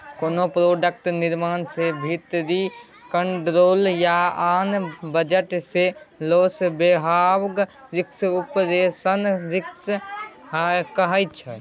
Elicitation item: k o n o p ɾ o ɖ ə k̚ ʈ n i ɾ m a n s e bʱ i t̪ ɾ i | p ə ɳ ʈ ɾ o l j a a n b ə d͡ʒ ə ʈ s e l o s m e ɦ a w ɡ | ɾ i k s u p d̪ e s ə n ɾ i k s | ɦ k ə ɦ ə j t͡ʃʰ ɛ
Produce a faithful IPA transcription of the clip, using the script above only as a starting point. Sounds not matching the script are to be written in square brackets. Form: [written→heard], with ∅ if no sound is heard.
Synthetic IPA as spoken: k o n o p ɾ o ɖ ə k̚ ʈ n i ɾ m a n s e bʱ i t̪ ɾ i | [p→k] ə ɳ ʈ ɾ o l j a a n b ə d͡ʒ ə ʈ s e l o s [m→b] e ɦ a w ɡ | ɾ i k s u p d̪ e s ə n ɾ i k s | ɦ k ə ɦ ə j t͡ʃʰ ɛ

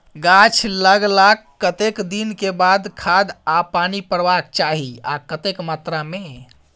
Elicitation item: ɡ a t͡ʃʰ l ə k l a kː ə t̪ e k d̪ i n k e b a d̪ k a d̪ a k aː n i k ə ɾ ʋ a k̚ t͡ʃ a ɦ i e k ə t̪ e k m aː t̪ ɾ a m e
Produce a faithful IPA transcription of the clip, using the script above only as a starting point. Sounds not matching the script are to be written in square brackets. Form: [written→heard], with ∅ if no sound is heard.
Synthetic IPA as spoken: ɡ a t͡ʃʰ l ə [k→ɡ] l a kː ə t̪ e k d̪ i n k e b a d̪ [k→kʰ] a d̪ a [k→p] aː n i [k→p] ə ɾ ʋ a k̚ t͡ʃ a ɦ i [e→a] k ə t̪ e k m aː t̪ ɾ a m e

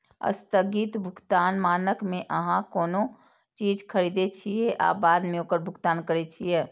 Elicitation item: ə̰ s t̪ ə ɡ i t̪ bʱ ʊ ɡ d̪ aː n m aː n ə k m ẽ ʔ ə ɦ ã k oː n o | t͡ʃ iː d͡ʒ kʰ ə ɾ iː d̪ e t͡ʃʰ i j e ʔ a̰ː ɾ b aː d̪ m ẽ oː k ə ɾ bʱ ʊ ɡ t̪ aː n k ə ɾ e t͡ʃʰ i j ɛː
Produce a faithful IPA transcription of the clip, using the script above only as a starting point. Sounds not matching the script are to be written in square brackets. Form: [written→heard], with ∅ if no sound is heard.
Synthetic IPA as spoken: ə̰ s t̪ ə ɡ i t̪ bʱ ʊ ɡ [d̪→t̪] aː n m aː n ə k m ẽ ʔ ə ɦ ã k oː n o | t͡ʃ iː d͡ʒ kʰ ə ɾ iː d̪ e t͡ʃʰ i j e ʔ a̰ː [ɾ→∅] b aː d̪ m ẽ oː k ə ɾ bʱ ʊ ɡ t̪ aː n k ə ɾ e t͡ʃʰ i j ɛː

